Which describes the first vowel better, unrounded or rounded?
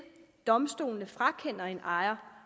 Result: rounded